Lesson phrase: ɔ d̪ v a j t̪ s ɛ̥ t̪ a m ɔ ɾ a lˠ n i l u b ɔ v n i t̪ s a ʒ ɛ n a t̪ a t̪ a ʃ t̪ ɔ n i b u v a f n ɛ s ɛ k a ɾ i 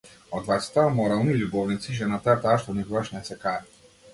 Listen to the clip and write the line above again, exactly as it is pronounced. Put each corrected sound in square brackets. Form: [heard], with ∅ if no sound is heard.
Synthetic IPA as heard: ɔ d̪ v a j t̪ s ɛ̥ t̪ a m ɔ ɾ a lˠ n i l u b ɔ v n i t̪ s [i] ʒ ɛ n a t̪ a t̪ a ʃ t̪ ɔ n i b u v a [ʃ] n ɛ s ɛ k a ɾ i